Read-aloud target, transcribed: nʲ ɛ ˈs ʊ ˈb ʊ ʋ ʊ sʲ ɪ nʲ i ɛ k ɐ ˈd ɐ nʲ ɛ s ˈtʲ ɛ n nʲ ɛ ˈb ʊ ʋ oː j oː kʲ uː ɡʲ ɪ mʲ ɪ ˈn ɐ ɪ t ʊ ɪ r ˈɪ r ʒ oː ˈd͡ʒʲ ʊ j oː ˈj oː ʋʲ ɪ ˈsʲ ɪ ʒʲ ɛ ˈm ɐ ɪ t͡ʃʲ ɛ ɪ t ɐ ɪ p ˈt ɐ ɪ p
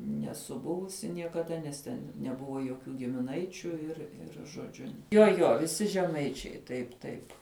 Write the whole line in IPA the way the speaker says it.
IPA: nʲ ɛ ˈs ʊ ˈb ʊ ʋ ʊ sʲ ɪ nʲ i ɛ k ɐ ˈd ɐ nʲ ɛ s ˈtʲ ɛ n nʲ ɛ ˈb ʊ ʋ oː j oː kʲ uː ɡʲ ɪ mʲ ɪ ˈn ɐ ɪ t͡ʃʲ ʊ ɪ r ˈɪ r ʒ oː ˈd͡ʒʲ ʊ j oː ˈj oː ʋʲ ɪ ˈsʲ ɪ ʒʲ ɛ ˈm ɐ ɪ t͡ʃʲ ɛ ɪ t ɐ ɪ p ˈt ɐ ɪ p